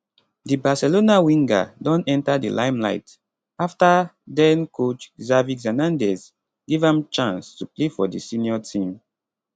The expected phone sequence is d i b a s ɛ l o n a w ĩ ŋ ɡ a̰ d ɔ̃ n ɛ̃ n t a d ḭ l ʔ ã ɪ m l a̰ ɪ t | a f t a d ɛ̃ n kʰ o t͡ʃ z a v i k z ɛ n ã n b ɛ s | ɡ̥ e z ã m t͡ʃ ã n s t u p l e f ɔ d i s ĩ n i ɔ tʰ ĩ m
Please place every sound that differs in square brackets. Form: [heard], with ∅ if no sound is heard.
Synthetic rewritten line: d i b a s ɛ l o n a w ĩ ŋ ɡ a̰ d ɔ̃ n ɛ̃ n t a d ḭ l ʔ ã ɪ m l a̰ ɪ t | a f t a d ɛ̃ n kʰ o t͡ʃ z a v i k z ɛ n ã n [d] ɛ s | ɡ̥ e [v] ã m t͡ʃ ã n s t u p l e f ɔ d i s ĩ n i ɔ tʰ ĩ m

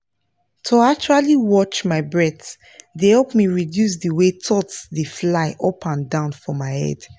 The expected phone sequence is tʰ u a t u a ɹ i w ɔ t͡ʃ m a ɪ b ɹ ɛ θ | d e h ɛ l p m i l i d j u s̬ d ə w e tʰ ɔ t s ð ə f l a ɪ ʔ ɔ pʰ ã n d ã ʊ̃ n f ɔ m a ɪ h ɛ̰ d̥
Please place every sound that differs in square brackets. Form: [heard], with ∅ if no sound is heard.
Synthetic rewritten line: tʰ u a [t͡ʃ] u a [l] i w ɔ t͡ʃ m a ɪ b ɹ ɛ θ | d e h ɛ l p m i [ɹ] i d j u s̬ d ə w e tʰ ɔ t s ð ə f l a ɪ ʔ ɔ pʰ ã n d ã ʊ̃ n f ɔ m a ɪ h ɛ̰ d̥

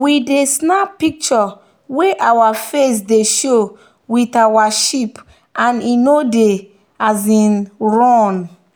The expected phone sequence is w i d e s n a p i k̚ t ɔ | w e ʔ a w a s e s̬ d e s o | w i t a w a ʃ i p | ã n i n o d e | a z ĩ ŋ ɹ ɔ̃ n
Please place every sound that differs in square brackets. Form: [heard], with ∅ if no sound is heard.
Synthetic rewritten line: w i d e s n a p i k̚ [t͡ʃ] ɔ | w e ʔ a w a [f] e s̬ d e [ʃ] o | w i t a w a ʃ i p | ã n i n o d e | a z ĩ [n] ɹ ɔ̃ n

